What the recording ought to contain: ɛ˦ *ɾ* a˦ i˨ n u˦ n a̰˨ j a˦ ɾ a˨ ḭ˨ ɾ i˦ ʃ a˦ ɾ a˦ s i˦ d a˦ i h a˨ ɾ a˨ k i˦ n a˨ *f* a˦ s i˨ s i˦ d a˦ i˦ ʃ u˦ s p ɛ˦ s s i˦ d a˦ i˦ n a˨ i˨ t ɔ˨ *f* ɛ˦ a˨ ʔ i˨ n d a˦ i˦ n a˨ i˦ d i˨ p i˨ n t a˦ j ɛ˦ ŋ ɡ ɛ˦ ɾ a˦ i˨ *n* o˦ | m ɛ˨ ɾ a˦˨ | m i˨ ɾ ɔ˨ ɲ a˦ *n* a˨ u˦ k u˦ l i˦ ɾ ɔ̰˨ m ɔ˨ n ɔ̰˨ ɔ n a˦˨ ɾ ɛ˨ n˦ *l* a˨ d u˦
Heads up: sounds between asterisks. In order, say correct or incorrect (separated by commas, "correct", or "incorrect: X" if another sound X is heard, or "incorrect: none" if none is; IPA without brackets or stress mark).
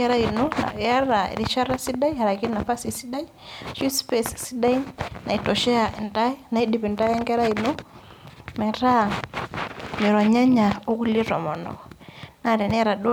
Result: correct, correct, incorrect: ʃ, correct, incorrect: ɲ, incorrect: ɾ